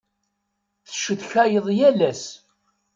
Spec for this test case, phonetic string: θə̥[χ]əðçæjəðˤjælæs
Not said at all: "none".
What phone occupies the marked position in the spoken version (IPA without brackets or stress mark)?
ʃ